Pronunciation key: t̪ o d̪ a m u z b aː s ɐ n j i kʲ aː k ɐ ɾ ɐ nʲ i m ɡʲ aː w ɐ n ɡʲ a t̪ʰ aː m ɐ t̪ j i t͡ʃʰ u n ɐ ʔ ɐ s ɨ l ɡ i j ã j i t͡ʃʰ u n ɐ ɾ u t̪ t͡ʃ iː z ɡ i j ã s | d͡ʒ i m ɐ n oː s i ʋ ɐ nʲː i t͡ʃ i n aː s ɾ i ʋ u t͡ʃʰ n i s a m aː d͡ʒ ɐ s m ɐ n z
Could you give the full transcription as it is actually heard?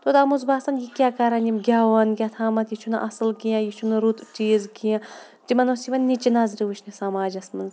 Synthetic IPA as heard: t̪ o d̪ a m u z b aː s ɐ n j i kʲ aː k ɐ ɾ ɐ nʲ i m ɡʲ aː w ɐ n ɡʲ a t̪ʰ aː m ɐ t̪ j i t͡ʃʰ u n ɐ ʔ ɐ s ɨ l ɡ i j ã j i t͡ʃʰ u n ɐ ɾ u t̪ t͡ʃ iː z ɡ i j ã | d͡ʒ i m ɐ n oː s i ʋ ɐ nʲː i t͡ʃ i n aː z ɾ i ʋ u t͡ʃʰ n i s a m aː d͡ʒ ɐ s m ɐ n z

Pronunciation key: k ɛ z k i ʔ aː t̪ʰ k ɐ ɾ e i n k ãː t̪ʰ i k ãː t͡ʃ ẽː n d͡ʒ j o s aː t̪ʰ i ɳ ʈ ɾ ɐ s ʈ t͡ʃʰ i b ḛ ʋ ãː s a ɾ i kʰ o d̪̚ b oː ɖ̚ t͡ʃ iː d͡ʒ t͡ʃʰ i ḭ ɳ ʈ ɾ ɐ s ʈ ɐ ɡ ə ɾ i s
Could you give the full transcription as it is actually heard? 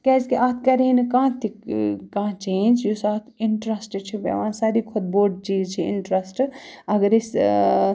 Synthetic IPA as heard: k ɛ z k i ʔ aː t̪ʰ k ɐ ɾ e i n k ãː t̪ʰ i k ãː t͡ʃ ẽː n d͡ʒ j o s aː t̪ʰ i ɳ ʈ ɾ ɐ s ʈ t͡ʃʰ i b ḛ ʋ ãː s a ɾ i kʰ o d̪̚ b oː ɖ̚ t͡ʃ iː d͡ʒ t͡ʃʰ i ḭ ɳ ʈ ɾ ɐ s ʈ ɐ ɡ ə ɾ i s

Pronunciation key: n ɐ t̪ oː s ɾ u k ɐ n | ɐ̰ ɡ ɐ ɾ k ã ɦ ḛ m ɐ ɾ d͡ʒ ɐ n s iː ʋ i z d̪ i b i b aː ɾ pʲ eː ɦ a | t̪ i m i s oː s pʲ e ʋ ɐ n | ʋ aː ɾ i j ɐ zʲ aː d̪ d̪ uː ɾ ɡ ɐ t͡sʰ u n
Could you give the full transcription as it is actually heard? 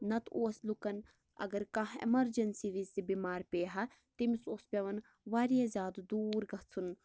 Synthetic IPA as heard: n ɐ t̪ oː s l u k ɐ n | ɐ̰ ɡ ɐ ɾ k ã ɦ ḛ m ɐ ɾ d͡ʒ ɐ n s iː ʋ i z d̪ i b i m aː ɾ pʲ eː ɦ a | t̪ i m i s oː s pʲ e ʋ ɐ n | ʋ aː ɾ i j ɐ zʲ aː d̪ d̪ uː ɾ ɡ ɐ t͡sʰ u n

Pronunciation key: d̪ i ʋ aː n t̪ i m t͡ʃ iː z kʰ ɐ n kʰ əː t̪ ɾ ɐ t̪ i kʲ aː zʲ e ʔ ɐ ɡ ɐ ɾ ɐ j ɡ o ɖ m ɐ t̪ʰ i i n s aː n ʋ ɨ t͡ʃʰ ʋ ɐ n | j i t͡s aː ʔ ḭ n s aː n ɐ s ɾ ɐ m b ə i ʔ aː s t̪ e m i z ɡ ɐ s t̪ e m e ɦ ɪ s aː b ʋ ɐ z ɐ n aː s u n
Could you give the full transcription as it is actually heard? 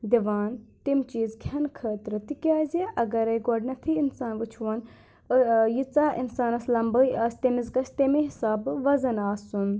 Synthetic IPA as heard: d̪ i ʋ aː n t̪ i m t͡ʃ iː z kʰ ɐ n kʰ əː t̪ ɾ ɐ t̪ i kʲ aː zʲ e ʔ ɐ ɡ ɐ ɾ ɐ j ɡ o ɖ n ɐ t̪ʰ i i n s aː n ʋ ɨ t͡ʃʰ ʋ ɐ n | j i t͡s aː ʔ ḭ n s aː n ɐ s l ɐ m b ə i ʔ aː s t̪ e m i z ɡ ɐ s t̪ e m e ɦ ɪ s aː b ʋ ɐ z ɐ n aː s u n

